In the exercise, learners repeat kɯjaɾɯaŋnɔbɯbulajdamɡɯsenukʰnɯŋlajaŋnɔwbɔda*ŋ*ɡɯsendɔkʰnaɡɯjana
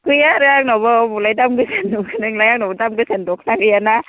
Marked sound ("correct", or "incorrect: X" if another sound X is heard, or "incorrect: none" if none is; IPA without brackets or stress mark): incorrect: m